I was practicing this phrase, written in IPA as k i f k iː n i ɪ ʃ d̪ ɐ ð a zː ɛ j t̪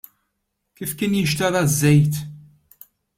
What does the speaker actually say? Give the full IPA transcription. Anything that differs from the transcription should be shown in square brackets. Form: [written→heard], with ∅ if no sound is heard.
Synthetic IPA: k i f k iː n [i→j] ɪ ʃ [d̪→t̪] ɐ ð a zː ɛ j t̪